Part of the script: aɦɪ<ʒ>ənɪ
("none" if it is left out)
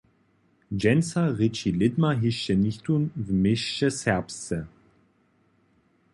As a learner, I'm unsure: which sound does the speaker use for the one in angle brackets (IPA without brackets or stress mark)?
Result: ʃ